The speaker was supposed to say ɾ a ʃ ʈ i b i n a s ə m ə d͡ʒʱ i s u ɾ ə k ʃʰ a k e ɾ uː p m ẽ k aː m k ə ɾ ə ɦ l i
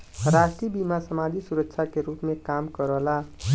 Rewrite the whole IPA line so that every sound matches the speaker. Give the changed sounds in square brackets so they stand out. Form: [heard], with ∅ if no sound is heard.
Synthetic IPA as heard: ɾ a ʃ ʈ i b i [m] a s ə m [a] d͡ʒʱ i s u ɾ ə k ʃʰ a k e ɾ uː p m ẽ k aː m k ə ɾ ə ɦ l [a]